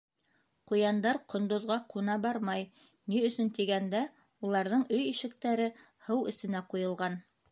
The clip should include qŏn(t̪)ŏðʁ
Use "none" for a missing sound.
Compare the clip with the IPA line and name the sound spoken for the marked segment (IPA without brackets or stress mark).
d̪